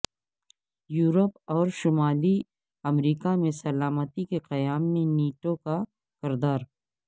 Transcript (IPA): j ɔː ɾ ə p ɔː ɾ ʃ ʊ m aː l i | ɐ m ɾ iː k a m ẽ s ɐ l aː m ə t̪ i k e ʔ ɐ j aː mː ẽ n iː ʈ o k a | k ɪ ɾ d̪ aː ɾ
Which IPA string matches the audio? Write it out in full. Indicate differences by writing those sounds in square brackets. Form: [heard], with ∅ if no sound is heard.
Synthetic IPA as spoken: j [uː] ɾ ə p ɔː ɾ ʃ ʊ m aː l i | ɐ m ɾ iː k a m ẽ s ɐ l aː m ə t̪ i k e [q] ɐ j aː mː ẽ n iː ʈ o k a | k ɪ ɾ d̪ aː ɾ